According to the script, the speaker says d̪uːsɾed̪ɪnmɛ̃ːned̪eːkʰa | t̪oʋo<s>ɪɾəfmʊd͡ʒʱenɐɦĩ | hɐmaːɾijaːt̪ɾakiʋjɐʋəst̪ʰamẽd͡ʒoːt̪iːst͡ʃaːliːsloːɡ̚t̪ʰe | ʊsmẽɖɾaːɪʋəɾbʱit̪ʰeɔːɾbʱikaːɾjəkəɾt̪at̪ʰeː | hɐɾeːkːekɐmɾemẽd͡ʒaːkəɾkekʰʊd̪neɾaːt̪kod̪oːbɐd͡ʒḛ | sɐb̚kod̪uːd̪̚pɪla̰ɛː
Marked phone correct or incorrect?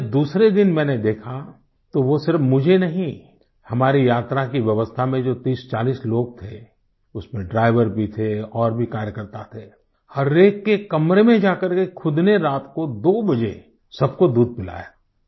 correct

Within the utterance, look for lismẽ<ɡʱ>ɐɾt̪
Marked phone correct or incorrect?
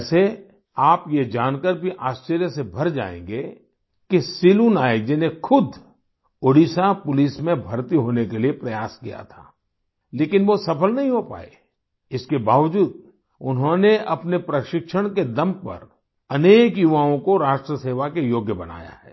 incorrect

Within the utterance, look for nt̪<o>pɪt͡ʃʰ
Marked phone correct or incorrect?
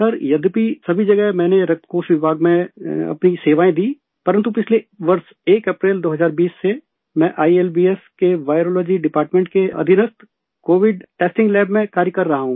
incorrect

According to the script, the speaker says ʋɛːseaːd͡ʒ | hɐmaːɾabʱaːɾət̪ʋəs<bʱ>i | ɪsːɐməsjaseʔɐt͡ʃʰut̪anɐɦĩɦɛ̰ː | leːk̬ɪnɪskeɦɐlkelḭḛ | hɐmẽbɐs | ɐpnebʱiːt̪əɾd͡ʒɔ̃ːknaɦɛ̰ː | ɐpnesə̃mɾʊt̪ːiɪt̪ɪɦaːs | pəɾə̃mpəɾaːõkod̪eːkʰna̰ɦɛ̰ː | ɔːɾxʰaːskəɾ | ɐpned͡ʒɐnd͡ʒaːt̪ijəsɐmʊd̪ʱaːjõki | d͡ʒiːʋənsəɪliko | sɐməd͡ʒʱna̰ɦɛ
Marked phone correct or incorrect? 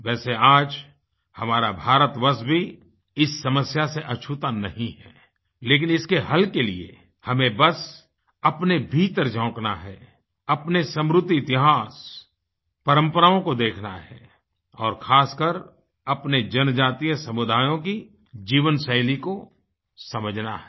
correct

